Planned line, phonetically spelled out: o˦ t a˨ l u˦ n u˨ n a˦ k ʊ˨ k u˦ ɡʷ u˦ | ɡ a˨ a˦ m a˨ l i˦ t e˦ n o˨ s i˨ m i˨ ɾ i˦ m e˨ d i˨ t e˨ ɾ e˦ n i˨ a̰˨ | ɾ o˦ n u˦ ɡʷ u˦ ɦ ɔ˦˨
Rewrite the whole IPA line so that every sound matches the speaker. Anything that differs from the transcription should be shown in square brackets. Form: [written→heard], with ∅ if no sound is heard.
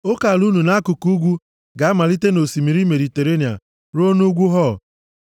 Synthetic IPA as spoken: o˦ [t→k] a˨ l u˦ n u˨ n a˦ k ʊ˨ k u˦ ɡʷ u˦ | ɡ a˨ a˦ m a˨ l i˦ t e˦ n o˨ s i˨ m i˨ ɾ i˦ m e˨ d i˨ t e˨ ɾ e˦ n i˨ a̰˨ | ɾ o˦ n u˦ ɡʷ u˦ ɦ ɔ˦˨